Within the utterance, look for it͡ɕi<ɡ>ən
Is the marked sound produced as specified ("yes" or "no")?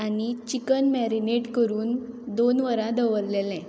no